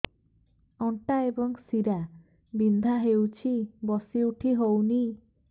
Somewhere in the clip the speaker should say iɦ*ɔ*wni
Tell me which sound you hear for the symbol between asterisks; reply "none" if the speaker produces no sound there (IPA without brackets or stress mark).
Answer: o